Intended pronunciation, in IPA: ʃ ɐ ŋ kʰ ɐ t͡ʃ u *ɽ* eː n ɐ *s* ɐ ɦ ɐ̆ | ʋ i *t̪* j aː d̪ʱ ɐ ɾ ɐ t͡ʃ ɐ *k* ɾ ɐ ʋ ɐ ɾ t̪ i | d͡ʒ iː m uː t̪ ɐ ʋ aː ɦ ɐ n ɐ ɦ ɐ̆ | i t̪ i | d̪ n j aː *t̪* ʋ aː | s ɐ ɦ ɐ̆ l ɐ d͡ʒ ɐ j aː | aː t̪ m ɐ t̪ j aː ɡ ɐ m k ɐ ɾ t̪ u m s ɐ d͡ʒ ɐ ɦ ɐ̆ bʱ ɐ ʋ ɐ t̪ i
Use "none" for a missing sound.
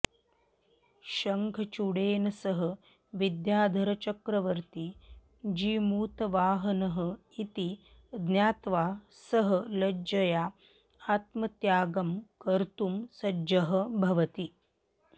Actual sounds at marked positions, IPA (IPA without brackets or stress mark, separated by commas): ɽ, s, d̪, k, t̪